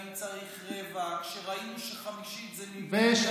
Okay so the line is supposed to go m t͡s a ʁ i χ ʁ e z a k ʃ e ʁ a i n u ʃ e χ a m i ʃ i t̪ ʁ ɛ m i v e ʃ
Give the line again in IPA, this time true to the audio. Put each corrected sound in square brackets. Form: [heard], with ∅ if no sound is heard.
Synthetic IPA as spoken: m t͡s a ʁ i χ ʁ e [v] a k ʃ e ʁ a i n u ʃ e χ a m i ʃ i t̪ [z] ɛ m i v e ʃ

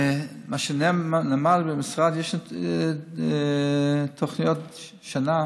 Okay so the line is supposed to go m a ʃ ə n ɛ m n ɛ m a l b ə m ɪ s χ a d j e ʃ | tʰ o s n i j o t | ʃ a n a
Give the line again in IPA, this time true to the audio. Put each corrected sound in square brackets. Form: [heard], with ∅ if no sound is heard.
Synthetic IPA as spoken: m a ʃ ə n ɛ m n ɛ m a l b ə m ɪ s [ʁ] a d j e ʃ | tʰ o [χ] n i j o t | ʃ a n a

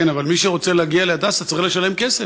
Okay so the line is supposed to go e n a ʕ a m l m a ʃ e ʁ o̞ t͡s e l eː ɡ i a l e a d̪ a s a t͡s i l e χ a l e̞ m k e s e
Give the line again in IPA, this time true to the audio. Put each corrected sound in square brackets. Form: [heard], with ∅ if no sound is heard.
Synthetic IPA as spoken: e n a [v] a [∅] l m [i] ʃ e ʁ o̞ t͡s e l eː ɡ i a l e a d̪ a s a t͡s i l e [ʃ] a l e̞ m k e s e

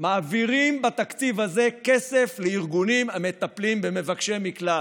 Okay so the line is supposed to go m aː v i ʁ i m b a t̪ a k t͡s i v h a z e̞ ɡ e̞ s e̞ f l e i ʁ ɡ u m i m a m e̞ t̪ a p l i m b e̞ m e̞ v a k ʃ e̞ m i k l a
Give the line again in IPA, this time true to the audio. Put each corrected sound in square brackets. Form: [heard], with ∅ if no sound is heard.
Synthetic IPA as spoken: m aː v i ʁ i m b a t̪ a k t͡s i v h a z e̞ [k] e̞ s e̞ f l e i ʁ ɡ u [n] i m a m e̞ t̪ a p l i m b e̞ m e̞ v a k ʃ e̞ m i k l a

